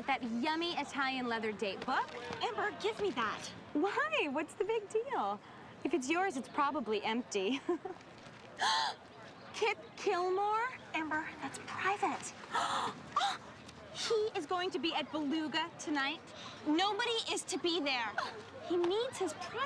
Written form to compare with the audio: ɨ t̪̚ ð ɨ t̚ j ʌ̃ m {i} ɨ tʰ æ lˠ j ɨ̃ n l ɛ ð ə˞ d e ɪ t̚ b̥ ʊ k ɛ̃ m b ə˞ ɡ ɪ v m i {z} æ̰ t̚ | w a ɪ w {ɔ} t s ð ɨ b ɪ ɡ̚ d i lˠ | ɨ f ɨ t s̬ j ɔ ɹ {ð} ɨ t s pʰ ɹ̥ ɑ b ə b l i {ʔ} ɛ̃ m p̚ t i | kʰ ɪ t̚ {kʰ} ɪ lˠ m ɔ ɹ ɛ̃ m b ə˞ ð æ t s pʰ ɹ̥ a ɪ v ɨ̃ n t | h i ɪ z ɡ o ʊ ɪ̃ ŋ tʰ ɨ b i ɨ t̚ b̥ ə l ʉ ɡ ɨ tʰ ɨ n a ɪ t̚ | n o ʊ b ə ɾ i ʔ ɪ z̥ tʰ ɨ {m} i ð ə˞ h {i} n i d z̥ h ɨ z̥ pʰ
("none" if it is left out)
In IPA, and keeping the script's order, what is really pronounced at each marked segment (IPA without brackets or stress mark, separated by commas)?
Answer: i, ð, ʌ, z, ʔ, kʰ, b, i